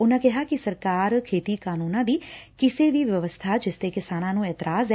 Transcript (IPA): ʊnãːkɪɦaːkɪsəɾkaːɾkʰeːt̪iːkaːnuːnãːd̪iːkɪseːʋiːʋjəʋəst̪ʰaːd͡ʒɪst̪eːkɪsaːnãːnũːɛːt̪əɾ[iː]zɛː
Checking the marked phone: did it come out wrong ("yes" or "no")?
yes